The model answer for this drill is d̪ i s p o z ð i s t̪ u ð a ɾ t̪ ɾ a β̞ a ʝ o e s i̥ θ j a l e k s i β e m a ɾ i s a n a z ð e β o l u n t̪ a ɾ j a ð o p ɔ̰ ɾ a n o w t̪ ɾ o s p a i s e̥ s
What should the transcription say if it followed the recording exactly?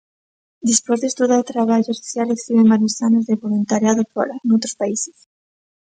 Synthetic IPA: d̪ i s p o z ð e s t̪ u ð a ɾ t̪ ɾ a β̞ a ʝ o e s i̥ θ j a l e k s i β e m a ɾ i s a n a z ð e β o l u n t̪ a ɾ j a ð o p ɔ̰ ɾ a n o w t̪ ɾ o s p a i s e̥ s